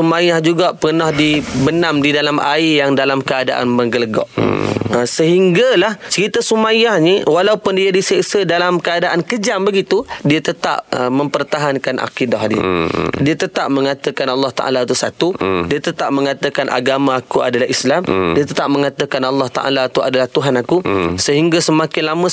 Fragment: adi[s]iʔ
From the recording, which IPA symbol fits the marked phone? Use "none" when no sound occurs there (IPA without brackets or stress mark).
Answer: s